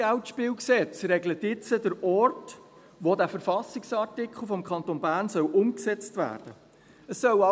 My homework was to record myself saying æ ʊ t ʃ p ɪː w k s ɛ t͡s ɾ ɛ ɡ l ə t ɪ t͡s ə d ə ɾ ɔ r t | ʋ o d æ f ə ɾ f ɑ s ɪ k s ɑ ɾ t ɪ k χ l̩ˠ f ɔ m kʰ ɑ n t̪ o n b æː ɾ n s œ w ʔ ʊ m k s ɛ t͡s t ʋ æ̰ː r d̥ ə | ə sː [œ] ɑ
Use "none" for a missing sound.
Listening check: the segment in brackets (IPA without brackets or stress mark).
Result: œ